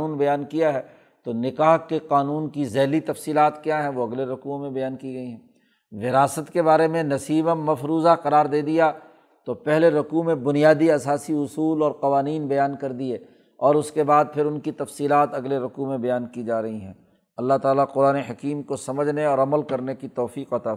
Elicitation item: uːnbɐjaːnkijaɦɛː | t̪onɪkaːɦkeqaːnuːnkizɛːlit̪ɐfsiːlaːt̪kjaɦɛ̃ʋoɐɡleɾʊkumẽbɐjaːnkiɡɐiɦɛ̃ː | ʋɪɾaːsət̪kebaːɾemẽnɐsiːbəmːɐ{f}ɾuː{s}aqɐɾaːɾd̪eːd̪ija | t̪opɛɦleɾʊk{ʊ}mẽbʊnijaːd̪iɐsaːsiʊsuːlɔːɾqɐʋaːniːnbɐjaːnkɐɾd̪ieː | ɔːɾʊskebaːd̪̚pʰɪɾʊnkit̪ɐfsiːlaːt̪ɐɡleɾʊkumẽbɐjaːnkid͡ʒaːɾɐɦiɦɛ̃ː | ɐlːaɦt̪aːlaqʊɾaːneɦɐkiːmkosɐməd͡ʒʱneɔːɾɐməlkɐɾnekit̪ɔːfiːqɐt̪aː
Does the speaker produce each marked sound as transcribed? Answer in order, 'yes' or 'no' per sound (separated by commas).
yes, no, no